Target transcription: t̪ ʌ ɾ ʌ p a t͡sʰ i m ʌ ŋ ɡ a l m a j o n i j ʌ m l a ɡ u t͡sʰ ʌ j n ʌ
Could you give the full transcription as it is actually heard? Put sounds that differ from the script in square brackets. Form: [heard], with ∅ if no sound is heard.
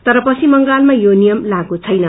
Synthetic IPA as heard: t̪ ʌ ɾ ʌ p [ʌ] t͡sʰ i m ʌ ŋ ɡ a l m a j o n i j ʌ m l a ɡ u t͡sʰ ʌ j n ʌ